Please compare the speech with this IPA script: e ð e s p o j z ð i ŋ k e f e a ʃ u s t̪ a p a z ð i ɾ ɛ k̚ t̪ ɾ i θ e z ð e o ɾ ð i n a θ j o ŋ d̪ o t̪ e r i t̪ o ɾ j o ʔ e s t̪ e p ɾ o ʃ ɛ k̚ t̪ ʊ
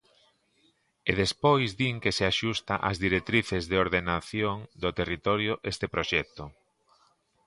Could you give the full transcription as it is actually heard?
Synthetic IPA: e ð e s p o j z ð i ŋ k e s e a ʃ u s t̪ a ʔ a z ð i ɾ e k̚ t̪ ɾ i θ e z ð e o ɾ ð e n a θ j o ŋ d̪ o t̪ e r i t̪ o ɾ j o ʔ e s t̪ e p ɾ o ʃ ɛ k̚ t̪ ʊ